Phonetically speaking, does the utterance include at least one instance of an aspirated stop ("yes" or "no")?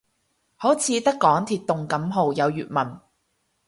yes